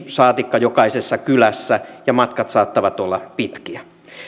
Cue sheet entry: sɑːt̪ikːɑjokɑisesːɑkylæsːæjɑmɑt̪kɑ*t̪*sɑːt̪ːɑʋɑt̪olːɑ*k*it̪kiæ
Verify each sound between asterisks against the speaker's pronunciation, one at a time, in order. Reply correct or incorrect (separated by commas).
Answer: correct, incorrect